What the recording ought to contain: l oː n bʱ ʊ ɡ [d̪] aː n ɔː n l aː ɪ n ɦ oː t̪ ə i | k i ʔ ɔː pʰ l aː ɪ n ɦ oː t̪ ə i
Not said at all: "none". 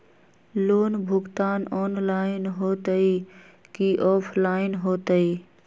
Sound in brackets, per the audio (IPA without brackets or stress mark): t̪